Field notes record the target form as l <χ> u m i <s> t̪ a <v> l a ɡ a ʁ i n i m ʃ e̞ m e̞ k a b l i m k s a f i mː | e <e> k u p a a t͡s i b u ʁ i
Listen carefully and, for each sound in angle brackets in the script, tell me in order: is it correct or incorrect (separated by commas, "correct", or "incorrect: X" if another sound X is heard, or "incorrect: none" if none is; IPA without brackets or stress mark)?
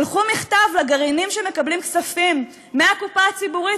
correct, incorrect: χ, correct, incorrect: a